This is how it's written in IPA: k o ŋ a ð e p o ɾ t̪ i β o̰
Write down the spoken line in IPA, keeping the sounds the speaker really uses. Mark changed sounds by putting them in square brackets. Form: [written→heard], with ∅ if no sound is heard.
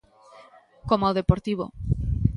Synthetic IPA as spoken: k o [ŋ→m] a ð e p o ɾ t̪ i β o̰